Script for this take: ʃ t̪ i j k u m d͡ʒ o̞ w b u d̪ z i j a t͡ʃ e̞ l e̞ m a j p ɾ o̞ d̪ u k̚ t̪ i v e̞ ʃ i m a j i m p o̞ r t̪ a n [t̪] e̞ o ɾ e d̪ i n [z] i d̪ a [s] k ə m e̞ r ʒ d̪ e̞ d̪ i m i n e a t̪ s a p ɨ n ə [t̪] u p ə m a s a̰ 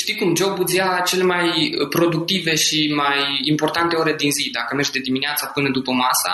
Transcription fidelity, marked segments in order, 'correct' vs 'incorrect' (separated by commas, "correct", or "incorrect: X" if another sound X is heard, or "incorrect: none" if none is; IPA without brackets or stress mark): correct, correct, incorrect: none, incorrect: d̪